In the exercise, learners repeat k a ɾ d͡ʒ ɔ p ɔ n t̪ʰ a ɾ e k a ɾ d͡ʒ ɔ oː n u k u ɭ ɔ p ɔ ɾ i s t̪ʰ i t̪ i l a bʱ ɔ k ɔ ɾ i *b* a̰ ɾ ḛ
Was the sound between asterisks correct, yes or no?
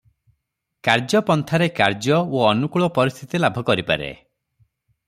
no